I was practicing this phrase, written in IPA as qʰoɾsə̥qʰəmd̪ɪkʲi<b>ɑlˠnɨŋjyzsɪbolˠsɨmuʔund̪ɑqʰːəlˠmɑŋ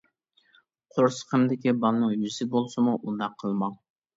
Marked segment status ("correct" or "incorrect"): correct